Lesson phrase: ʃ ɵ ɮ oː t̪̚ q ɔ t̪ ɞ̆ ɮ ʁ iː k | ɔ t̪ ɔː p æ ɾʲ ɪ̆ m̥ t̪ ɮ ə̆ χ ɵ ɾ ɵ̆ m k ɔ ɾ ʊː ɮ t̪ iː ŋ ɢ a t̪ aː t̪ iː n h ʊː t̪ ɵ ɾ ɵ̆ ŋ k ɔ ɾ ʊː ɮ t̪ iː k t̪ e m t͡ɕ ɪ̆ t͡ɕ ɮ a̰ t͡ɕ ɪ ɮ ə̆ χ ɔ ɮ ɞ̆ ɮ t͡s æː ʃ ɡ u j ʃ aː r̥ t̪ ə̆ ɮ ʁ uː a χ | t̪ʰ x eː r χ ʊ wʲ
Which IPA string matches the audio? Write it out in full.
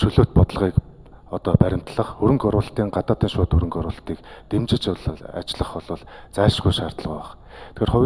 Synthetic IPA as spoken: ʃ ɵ ɮ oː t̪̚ p ɔ t̪ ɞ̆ ɮ ʁ iː k | ɔ t̪ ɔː p æ ɾʲ ɪ̆ m̥ t̪ ɮ ə̆ χ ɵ ɾ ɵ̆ ŋ k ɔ ɾ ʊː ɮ t̪ iː ŋ ɢ a t̪ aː t̪ iː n ʃ ʊː t̪ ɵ ɾ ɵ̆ ŋ k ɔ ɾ ʊː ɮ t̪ iː k t̪ e m t͡ɕ ɪ̆ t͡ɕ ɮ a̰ t͡ɕ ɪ ɮ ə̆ χ ɔ ɮ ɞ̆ ɮ t͡s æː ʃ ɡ u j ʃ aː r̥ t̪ ə̆ ɮ ʁ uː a χ | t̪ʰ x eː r χ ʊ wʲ

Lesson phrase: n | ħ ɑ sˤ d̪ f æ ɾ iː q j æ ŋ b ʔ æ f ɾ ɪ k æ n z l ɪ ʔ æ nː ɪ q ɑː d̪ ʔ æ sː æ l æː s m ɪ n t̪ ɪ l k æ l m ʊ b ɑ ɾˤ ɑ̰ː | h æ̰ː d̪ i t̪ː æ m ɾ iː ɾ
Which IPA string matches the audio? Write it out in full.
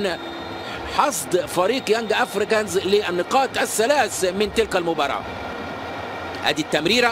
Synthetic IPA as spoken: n | ħ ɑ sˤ d̪ f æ ɾ iː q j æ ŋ ɡ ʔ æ f ɾ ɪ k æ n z l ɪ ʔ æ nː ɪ q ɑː t̪ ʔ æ sː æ l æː s m ɪ n t̪ ɪ l k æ l m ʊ b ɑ ɾˤ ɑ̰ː | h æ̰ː d̪ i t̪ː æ m ɾ iː ɾ

